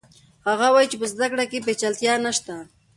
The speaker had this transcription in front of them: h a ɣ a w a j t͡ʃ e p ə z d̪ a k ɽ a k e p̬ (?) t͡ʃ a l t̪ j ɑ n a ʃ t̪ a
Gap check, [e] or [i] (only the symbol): e